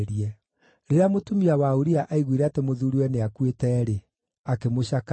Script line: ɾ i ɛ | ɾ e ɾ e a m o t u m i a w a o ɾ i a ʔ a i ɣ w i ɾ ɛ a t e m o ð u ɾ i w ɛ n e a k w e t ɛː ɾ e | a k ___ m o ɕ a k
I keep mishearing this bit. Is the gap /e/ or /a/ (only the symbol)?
e